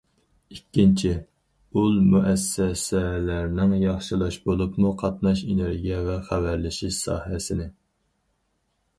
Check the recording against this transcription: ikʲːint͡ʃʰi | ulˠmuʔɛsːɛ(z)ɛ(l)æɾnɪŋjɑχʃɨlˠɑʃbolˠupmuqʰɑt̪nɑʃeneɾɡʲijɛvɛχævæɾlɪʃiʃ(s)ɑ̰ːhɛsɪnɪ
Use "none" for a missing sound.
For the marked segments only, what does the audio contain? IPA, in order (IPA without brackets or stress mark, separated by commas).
s, l, s